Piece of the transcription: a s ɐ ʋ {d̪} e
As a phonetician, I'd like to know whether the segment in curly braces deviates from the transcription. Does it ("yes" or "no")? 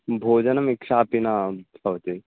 yes